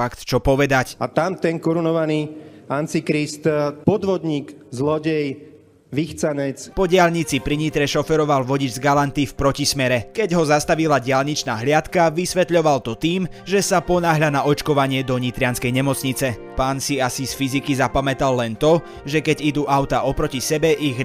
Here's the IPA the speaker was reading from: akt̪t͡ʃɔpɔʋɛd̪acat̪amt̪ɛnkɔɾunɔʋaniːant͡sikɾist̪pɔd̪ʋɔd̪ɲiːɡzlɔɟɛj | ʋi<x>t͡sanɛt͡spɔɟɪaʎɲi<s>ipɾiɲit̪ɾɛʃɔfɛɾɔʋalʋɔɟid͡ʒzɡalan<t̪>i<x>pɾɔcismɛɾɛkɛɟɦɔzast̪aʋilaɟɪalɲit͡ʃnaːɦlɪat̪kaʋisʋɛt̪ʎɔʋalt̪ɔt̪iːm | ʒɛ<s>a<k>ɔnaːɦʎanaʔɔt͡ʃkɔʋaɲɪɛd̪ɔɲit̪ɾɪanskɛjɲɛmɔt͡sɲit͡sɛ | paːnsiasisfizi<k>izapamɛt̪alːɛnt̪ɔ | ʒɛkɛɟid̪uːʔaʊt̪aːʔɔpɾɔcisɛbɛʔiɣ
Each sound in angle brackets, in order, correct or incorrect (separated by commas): correct, incorrect, correct, incorrect, correct, incorrect, correct